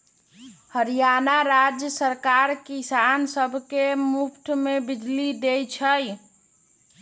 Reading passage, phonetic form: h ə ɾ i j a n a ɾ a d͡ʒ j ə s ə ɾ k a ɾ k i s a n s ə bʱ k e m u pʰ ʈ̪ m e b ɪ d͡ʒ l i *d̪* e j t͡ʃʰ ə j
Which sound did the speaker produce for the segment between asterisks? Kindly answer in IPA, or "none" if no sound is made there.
d̪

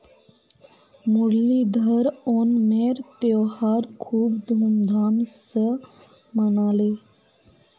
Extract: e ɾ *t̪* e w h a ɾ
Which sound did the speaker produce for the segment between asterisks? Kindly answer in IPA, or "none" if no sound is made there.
t̪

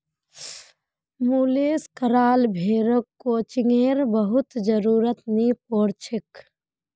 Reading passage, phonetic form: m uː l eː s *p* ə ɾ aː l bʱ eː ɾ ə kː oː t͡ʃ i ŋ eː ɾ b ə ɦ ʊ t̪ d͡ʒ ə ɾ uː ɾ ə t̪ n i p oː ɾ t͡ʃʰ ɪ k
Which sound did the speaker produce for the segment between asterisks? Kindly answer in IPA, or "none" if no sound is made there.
k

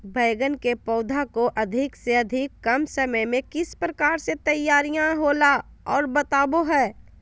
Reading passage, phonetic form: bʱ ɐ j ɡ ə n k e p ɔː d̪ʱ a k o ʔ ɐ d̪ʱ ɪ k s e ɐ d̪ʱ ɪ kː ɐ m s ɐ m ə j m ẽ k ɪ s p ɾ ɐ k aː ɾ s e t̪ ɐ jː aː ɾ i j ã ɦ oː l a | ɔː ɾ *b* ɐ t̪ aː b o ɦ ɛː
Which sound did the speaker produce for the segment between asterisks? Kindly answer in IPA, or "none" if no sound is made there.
b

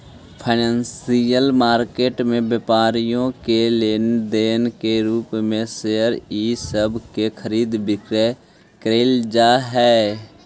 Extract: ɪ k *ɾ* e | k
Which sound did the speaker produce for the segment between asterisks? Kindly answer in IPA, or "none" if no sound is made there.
ɾ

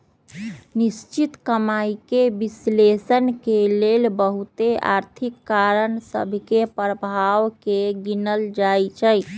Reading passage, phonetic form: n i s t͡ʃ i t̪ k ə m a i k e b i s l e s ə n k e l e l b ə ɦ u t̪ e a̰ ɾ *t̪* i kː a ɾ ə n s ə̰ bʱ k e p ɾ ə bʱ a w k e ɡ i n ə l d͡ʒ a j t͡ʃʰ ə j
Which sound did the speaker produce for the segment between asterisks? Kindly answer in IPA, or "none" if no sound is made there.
t̪ʰ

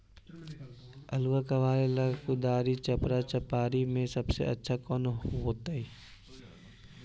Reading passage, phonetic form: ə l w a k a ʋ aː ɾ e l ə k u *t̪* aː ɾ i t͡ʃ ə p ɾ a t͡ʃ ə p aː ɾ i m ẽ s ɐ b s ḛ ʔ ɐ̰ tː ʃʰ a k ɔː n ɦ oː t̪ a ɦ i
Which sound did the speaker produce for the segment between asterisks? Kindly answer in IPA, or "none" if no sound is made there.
d̪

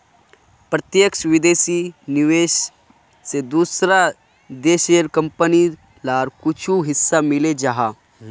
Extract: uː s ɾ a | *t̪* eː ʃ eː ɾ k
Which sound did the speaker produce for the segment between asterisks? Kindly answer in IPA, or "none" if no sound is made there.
d̪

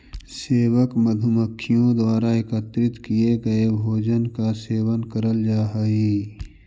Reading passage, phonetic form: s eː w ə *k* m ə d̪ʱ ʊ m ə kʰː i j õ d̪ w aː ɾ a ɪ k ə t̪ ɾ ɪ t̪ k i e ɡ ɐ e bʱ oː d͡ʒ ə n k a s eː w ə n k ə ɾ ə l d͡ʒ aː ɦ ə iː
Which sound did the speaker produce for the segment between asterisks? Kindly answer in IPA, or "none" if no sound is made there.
k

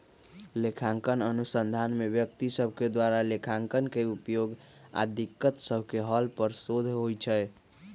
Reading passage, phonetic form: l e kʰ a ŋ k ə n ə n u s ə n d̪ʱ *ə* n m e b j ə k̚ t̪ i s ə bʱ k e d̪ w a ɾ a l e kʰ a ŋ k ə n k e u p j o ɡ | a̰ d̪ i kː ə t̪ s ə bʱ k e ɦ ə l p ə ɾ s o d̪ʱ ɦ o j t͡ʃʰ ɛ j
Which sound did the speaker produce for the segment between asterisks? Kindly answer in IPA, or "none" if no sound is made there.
a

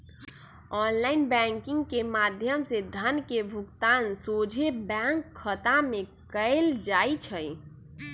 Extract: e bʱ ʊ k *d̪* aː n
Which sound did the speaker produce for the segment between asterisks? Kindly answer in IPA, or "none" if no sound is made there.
t̪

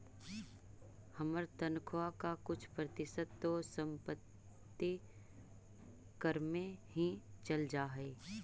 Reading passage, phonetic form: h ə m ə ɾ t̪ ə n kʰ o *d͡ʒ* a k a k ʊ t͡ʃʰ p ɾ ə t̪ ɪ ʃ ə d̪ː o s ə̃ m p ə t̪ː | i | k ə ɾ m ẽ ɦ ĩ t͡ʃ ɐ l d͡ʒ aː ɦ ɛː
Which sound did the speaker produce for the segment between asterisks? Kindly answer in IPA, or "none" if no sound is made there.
none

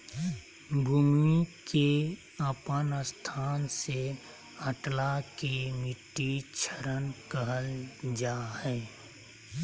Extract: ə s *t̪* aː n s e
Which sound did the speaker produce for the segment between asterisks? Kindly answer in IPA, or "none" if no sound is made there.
t̪ʰ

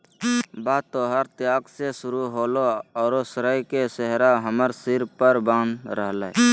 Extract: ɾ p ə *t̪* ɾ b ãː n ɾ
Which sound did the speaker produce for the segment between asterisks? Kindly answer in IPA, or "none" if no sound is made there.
none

